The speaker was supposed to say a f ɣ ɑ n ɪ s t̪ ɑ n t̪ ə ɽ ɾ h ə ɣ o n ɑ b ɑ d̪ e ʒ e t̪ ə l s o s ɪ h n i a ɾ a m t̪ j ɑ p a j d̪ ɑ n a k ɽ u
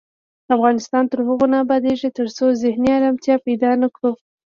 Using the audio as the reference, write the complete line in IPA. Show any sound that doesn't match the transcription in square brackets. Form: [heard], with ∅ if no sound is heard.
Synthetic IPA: a f ɣ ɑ n ɪ s t̪ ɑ n t̪ ə [∅] ɾ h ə ɣ o n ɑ b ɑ d̪ e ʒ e t̪ ə [ɾ] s o [z] ɪ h n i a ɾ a m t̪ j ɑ p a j d̪ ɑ n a k ɽ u